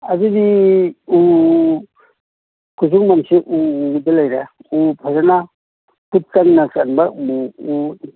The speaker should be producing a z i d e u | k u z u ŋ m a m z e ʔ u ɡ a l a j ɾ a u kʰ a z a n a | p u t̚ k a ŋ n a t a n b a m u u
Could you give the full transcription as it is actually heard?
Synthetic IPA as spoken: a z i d i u | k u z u ŋ m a m s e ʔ u d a l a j ɾ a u pʰ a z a n a | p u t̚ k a ŋ n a s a n b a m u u